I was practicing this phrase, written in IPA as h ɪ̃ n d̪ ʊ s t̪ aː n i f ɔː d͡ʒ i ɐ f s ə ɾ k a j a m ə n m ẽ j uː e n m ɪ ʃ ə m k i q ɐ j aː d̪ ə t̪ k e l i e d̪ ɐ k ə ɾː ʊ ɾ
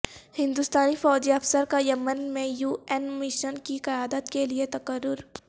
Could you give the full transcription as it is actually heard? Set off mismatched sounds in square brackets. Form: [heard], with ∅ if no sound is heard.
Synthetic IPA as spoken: h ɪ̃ n d̪ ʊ s t̪ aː n i f ɔː d͡ʒ i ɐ f s ə ɾ k a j [ɐ] m ə n m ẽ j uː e n m ɪ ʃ ə [n] k i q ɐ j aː d̪ ə t̪ k e l i e [t̪] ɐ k ə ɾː ʊ ɾ